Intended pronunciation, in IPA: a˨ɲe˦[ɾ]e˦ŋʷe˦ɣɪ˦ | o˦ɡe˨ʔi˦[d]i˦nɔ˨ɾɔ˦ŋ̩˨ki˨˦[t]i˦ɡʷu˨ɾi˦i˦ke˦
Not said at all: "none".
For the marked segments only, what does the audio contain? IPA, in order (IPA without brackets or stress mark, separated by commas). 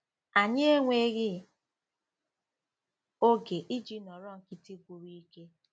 none, d͡ʒ, t